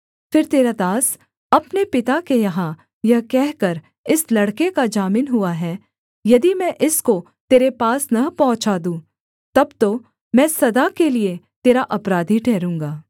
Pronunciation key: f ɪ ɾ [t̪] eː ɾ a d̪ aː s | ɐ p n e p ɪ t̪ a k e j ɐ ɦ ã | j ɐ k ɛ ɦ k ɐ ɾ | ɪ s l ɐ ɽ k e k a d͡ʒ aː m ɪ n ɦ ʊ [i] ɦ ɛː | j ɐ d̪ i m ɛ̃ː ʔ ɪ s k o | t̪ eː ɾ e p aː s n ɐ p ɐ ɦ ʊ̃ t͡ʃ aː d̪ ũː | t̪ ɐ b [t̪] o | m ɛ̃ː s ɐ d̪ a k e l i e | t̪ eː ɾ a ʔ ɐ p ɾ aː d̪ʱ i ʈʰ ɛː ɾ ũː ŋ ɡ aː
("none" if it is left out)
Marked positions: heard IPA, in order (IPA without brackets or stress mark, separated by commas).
t̪, a, t̪